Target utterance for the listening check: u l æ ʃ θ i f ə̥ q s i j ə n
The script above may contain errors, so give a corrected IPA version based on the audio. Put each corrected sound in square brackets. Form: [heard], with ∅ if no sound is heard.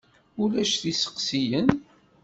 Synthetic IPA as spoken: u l æ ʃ θ i [s] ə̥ q s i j ə n